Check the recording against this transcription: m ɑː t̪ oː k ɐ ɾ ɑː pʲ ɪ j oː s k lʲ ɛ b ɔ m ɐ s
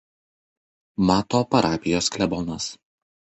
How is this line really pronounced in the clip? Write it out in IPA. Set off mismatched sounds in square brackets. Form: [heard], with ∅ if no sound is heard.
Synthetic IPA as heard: m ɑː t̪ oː [p] ɐ ɾ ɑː pʲ ɪ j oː s k lʲ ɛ b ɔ [n] ɐ s